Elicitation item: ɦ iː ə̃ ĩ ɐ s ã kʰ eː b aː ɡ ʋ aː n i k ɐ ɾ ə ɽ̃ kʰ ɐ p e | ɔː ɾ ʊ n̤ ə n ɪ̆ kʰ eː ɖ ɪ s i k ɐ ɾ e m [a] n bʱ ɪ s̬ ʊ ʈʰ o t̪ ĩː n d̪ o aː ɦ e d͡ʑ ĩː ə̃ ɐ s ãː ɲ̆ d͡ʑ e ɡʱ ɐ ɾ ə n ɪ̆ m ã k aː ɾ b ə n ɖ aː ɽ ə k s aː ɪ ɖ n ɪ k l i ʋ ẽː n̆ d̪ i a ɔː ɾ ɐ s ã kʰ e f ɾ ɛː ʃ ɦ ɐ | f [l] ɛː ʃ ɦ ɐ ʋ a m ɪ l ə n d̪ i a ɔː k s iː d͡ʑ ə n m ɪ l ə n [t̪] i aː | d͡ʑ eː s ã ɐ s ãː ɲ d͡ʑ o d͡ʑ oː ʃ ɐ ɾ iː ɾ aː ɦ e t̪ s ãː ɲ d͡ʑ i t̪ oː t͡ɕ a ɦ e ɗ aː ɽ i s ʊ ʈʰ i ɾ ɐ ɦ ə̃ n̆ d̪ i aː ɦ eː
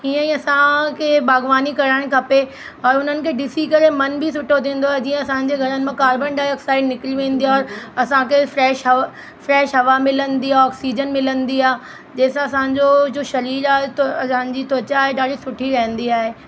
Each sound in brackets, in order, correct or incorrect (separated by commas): incorrect, incorrect, incorrect